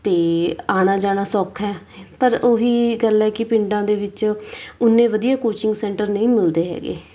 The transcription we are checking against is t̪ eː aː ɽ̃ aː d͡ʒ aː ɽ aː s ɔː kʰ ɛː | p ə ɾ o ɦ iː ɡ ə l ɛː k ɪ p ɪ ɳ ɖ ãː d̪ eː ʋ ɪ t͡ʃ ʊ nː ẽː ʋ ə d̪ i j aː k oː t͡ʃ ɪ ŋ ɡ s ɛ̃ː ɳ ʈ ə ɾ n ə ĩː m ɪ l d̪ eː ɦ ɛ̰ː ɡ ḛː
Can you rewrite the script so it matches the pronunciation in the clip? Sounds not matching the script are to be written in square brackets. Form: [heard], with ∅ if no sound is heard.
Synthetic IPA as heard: t̪ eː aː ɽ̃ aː d͡ʒ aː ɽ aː s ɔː kʰ ɛː | p ə ɾ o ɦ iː ɡ ə l ɛː k ɪ p ɪ ɳ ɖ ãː d̪ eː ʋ ɪ t͡ʃ ʊ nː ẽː ʋ ə d̪ i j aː k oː t͡ʃ ɪ ŋ ɡ s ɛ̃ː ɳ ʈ ə ɾ n ə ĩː m ɪ l d̪ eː ɦ ɛ̰ː ɡ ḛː